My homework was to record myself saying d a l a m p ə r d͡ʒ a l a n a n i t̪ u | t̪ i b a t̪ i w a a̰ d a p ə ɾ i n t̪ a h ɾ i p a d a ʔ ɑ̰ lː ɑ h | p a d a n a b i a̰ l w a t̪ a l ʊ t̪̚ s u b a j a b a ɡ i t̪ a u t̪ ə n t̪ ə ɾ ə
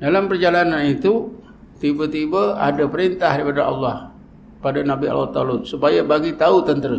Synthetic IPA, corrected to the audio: d a l a m p ə r d͡ʒ a l a n a n i t̪ u | t̪ i b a t̪ i b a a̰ d a p ə ɾ i n t̪ a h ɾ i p a d a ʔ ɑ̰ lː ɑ h | p a d a n a b i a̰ l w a t̪ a l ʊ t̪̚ s u p a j a b a ɡ i t̪ a u t̪ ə n t̪ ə ɾ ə